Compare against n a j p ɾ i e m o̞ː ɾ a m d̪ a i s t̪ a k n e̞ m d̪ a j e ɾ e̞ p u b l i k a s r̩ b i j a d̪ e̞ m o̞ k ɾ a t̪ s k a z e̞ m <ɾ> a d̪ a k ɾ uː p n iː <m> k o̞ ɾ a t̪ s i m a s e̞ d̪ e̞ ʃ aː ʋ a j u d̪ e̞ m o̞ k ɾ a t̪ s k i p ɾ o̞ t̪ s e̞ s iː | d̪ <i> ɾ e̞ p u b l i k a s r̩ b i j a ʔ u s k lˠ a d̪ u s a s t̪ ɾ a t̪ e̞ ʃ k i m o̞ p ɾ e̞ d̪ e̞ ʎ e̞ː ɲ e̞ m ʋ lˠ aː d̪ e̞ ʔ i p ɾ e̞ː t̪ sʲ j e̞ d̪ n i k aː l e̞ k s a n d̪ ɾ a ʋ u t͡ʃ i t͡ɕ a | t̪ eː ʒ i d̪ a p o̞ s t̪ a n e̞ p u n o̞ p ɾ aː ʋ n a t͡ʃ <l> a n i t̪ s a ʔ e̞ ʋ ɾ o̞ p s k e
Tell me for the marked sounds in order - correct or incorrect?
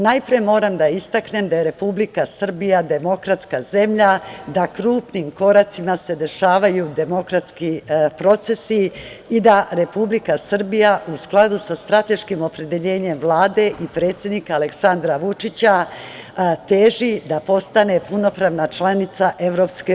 incorrect: ʎ, correct, incorrect: a, correct

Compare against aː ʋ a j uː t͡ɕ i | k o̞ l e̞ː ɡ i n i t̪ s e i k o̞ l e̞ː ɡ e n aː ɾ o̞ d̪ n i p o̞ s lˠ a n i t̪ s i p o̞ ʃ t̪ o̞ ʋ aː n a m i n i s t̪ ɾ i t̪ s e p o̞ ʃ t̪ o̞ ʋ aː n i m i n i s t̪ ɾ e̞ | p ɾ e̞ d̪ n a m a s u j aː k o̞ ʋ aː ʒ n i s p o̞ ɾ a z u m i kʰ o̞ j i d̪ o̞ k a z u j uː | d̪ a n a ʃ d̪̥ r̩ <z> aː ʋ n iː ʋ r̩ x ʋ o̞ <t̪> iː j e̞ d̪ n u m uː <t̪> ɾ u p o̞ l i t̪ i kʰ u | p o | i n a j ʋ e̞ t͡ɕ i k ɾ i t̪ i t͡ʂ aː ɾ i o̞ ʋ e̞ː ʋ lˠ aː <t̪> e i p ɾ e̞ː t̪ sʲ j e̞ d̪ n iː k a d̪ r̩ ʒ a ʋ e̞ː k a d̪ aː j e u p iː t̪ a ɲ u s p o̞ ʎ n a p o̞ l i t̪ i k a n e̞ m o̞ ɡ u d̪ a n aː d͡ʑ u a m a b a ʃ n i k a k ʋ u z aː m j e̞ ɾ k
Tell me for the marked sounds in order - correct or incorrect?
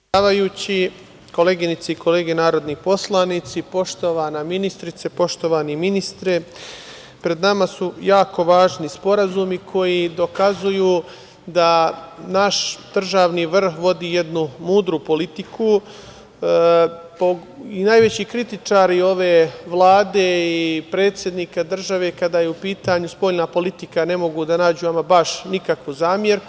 incorrect: ʒ, incorrect: d̪, incorrect: d̪, incorrect: d̪

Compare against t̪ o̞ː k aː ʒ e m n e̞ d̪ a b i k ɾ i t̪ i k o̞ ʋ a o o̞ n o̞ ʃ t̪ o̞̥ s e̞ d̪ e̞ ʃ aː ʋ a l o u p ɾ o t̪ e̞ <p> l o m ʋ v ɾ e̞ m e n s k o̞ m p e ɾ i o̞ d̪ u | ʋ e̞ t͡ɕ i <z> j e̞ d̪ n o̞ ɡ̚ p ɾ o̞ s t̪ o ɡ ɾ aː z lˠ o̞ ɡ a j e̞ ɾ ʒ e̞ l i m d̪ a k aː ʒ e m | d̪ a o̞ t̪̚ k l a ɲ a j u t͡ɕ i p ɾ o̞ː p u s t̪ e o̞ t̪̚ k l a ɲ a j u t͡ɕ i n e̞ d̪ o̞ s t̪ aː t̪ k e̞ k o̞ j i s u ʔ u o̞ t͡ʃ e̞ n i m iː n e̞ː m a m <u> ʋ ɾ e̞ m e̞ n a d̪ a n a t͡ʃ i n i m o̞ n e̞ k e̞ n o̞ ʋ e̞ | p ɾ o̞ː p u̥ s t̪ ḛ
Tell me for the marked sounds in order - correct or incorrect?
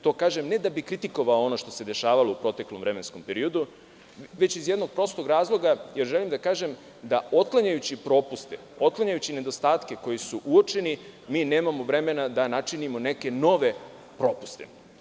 incorrect: k, correct, incorrect: o

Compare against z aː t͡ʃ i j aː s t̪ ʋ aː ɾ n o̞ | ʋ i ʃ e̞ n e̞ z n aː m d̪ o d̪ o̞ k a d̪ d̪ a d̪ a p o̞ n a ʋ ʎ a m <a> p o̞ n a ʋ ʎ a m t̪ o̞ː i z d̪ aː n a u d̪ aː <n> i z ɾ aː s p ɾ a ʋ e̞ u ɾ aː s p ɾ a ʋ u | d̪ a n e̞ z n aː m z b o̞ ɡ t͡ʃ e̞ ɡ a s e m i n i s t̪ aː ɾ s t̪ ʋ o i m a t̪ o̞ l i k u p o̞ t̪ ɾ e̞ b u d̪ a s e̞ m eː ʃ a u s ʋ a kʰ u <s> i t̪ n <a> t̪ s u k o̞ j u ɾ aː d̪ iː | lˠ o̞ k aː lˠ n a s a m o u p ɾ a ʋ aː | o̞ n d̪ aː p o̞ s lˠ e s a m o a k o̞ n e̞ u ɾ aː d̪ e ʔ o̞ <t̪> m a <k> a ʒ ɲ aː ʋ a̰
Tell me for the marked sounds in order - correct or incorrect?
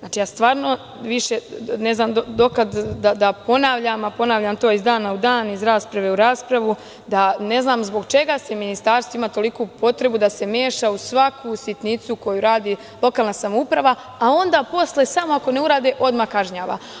correct, correct, correct, incorrect: i, incorrect: d̪, correct

